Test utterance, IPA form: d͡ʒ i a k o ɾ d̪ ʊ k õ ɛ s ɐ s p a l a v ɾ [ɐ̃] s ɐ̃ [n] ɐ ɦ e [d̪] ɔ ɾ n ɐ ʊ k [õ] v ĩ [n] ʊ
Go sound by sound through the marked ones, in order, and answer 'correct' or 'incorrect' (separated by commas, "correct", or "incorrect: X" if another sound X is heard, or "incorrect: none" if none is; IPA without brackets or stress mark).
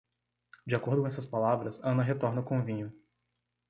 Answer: incorrect: ɐ, correct, incorrect: t̪, correct, incorrect: ɲ